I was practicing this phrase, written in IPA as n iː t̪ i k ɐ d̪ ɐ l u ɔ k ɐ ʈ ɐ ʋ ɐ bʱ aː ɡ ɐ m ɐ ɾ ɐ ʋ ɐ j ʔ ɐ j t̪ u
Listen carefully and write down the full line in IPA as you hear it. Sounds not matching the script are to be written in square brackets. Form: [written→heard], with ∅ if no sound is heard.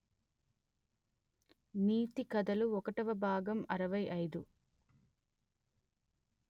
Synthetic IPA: n iː t̪ i k ɐ d̪ ɐ l u ɔ k ɐ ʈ ɐ ʋ ɐ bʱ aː ɡ ɐ m ɐ ɾ ɐ ʋ ɐ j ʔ ɐ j [t̪→d̪] u

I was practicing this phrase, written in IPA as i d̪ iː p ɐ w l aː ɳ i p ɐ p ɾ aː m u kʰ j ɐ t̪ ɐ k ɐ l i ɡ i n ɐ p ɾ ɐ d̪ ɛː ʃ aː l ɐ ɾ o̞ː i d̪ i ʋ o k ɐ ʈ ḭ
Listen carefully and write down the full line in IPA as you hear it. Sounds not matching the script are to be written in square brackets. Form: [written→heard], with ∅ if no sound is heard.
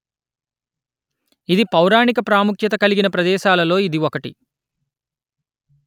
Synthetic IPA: i d̪ [iː→i] p ɐ w [l→ɾ] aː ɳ i [p→k] ɐ p ɾ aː m u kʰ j ɐ t̪ ɐ k ɐ l i ɡ i n ɐ p ɾ ɐ d̪ ɛː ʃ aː l ɐ [ɾ→l] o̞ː i d̪ i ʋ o k ɐ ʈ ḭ

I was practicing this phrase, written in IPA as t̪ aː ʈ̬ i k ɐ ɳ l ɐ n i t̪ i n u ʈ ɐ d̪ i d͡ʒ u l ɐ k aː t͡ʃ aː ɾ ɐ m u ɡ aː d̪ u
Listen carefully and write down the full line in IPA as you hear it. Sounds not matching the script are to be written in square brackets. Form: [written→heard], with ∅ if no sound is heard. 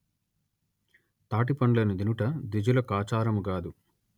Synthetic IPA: t̪ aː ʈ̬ i [k→p] ɐ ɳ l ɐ n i [t̪→d̪] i n u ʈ ɐ d̪ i d͡ʒ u l ɐ k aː t͡ʃ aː ɾ ɐ m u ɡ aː d̪ u

